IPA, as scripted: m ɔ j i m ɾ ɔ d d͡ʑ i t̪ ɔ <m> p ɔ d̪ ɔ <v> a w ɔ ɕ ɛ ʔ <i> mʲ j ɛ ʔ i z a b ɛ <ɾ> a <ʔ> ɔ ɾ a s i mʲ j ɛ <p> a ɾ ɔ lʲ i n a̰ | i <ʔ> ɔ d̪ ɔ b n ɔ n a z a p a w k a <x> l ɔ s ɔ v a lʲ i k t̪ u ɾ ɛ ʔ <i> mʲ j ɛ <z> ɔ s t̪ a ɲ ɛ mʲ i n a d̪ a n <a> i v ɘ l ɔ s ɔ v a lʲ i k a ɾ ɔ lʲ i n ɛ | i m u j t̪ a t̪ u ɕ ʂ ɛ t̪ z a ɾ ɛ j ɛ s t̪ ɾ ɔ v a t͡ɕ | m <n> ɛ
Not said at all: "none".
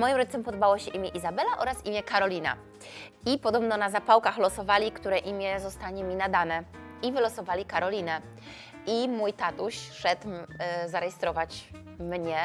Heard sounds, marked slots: m, b, i, l, ʔ, k, p, x, i, z, ɛ, ɲ

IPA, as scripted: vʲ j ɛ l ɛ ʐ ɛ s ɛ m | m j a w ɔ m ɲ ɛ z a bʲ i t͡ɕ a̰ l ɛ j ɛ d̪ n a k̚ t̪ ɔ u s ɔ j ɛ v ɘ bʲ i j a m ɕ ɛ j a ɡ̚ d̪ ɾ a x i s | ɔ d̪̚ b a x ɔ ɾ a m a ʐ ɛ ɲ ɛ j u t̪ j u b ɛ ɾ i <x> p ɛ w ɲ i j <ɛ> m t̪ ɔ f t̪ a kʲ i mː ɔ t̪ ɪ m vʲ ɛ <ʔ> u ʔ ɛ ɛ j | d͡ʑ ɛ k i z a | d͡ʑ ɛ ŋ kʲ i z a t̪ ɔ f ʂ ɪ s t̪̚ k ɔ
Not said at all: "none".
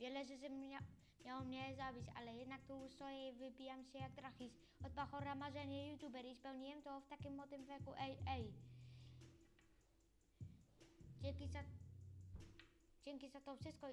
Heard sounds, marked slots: s, ɛ, k

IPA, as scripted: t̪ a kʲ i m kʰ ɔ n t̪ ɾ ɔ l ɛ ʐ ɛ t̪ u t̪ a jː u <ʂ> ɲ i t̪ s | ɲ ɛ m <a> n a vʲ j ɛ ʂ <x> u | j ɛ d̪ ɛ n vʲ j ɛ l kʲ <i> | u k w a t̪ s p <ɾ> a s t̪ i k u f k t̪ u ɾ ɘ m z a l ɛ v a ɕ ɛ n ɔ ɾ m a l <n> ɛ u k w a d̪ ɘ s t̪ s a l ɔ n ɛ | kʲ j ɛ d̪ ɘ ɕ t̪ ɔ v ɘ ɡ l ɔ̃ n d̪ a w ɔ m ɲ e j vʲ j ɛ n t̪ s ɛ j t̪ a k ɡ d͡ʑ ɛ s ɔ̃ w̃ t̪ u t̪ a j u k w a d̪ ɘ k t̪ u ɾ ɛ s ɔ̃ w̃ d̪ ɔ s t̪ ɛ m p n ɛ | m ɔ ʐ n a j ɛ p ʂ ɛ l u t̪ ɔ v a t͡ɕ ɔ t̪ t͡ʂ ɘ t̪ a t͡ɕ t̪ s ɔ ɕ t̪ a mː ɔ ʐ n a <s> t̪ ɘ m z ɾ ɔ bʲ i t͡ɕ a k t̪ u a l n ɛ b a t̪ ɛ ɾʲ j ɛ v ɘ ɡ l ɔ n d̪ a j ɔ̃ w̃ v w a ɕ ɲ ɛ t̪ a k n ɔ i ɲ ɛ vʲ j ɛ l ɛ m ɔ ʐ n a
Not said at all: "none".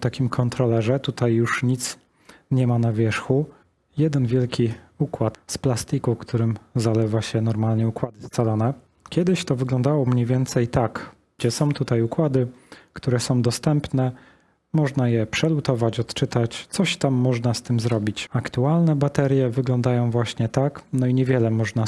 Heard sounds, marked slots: ʂ, a, x, i, l, ɲ, s

